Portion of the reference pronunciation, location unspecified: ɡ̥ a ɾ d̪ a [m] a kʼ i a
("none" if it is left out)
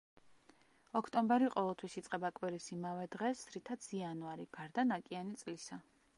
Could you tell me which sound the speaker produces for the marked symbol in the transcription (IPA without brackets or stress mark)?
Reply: n